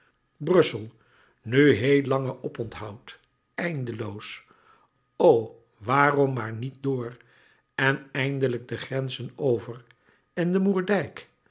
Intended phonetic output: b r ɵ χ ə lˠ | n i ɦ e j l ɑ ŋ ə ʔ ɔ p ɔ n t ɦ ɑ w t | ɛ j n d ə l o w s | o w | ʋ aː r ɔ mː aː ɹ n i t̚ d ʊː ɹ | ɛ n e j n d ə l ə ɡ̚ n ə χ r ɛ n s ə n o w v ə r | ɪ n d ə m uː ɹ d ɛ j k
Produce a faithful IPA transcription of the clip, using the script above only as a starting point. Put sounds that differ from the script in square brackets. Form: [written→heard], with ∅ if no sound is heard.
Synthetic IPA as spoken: b r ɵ [χ→s] ə lˠ | n [i→y] ɦ e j l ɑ ŋ ə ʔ ɔ p ɔ n t ɦ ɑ w t | ɛ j n d ə l o w s | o w | ʋ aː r ɔ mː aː ɹ n i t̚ d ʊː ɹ | ɛ n [e→ɛ] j n d ə l ə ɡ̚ [n→d] ə χ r ɛ n [s→z] ə n o w v ə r | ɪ n d ə m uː ɹ d ɛ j k

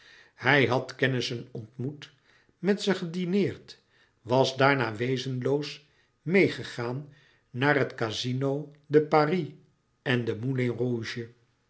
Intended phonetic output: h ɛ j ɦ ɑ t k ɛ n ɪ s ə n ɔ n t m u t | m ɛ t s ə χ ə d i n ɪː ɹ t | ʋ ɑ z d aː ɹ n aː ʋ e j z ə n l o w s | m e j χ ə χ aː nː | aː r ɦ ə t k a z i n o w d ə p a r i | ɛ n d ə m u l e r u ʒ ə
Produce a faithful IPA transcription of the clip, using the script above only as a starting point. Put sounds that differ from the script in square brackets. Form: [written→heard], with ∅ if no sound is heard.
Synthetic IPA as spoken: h ɛ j ɦ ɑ t k ɛ n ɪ s ə n ɔ n t m u t | m ɛ t s ə χ ə d i n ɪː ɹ t | ʋ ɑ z d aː ɹ n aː ʋ e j z ə n l o w s | m e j χ ə χ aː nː | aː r ɦ ə t k a z i n o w d ə p a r i | ɛ n d ə m u l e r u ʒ ə

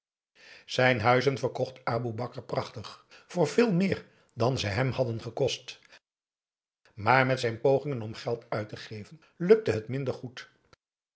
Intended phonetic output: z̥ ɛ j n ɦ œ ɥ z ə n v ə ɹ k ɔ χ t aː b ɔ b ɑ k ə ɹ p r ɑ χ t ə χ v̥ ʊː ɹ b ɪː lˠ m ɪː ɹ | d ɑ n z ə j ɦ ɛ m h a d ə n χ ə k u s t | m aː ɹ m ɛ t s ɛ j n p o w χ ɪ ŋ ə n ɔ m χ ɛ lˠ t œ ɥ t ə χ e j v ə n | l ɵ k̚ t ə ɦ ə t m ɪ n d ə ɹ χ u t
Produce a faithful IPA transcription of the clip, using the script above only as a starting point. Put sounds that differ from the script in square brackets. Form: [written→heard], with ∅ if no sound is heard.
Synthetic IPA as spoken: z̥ ɛ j n ɦ œ ɥ z ə n v ə ɹ k ɔ χ t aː b [ɔ→u] b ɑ k ə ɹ p r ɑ χ t ə χ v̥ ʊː ɹ [b→v] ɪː lˠ m ɪː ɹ | d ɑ n z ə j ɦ ɛ m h [a→ɑ] d ə n χ ə k [u→ɔ] s t | m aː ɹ m ɛ t s ɛ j n p o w χ ɪ ŋ ə n ɔ m χ ɛ lˠ t œ ɥ t ə χ e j v ə n | l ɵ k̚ t ə ɦ ə t m ɪ n d ə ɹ χ u t

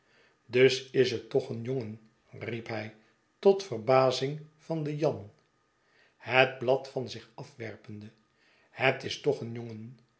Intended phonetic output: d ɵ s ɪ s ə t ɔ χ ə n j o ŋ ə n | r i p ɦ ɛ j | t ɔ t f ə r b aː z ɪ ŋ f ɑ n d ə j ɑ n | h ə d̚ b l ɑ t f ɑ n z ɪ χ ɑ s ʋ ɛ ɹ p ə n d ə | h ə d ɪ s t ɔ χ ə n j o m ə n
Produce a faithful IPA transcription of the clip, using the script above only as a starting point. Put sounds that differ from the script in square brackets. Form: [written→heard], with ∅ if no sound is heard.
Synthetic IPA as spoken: d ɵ s ɪ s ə t ɔ χ ə n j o ŋ ə n | r i p ɦ ɛ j | t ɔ t f ə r b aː z ɪ ŋ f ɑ n d ə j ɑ n | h ə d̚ b l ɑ t f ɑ n z ɪ χ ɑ [s→f] ʋ ɛ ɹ p ə n d ə | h ə [d→t] ɪ s t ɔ χ ə n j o [m→ŋ] ə n

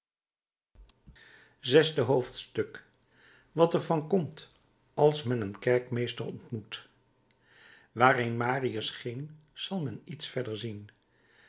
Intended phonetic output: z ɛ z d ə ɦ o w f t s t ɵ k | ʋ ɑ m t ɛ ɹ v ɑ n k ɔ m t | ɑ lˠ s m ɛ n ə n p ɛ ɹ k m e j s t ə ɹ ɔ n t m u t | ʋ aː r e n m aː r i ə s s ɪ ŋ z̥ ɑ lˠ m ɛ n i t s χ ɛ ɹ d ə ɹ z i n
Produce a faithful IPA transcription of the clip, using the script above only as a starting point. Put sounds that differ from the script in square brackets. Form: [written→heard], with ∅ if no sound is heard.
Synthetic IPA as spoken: z ɛ z d ə ɦ o w f t s t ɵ k | ʋ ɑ [m→∅] t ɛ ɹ v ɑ n k ɔ m t | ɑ lˠ s m ɛ n ə n [p→k] ɛ ɹ k m e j s t ə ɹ ɔ n t m u t | ʋ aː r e n m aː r i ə s [s→χ] ɪ ŋ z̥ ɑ lˠ m ɛ n i t s [χ→f] ɛ ɹ d ə ɹ z i n

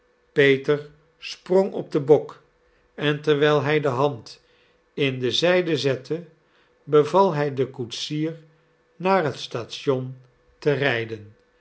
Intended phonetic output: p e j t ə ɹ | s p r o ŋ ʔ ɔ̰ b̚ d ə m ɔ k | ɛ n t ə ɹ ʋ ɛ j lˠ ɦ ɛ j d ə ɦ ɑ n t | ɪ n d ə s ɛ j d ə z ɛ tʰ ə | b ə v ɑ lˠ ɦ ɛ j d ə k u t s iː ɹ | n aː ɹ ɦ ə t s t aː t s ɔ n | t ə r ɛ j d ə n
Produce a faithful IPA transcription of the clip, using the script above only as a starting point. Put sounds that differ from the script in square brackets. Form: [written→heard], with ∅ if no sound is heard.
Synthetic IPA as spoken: p e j t ə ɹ | s p r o ŋ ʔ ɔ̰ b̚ d ə [m→b] ɔ k | ɛ n t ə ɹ ʋ ɛ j lˠ ɦ ɛ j d ə ɦ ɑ n t | ɪ n d ə [s→z] ɛ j d ə z ɛ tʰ ə | b ə v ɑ lˠ ɦ ɛ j d ə k u t s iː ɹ | n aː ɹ ɦ ə t s t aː t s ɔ n | t ə r ɛ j d ə n

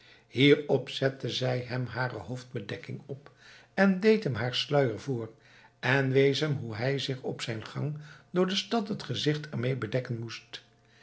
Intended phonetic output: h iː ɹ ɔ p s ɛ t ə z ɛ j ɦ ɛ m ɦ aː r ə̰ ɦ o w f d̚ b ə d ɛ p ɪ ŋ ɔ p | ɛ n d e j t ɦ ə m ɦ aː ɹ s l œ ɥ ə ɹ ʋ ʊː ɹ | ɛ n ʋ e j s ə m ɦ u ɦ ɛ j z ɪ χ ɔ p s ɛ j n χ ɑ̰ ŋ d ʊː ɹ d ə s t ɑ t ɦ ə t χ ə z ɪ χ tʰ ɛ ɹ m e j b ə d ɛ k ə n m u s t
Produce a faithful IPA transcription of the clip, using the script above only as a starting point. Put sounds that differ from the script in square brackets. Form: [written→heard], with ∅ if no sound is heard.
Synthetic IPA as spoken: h iː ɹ ɔ p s ɛ t ə z ɛ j ɦ ɛ m ɦ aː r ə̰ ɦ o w f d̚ b ə d ɛ [p→k] ɪ ŋ ɔ p | ɛ n d e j t ɦ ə m ɦ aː ɹ s l œ ɥ ə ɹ [ʋ→v] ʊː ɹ | ɛ n ʋ e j s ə m ɦ u ɦ ɛ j z ɪ χ ɔ p s ɛ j n χ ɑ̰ ŋ d ʊː ɹ d ə s t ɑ t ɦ ə t χ ə z ɪ χ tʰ ɛ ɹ m e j b ə d ɛ k ə n m u s t

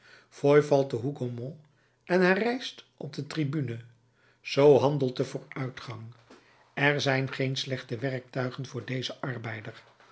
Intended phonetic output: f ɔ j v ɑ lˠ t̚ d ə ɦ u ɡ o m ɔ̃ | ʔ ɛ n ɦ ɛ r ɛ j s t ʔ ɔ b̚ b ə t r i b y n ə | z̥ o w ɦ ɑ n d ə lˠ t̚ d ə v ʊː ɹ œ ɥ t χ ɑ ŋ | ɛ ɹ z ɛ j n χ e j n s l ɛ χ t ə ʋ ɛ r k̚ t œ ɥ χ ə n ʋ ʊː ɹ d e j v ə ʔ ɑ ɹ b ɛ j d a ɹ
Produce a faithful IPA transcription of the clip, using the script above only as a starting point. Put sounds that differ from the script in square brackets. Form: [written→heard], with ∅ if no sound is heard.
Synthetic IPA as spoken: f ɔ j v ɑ lˠ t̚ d ə ɦ u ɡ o m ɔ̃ | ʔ ɛ n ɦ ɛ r ɛ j s t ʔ ɔ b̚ [b→d] ə t r i b y n ə | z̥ o w ɦ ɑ n d ə lˠ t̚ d ə v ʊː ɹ œ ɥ t χ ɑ ŋ | ɛ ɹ z ɛ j n χ e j n s l ɛ χ t ə ʋ ɛ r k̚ t œ ɥ χ ə n [ʋ→v] ʊː ɹ d e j [v→z] ə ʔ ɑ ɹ b ɛ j d [a→ə] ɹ

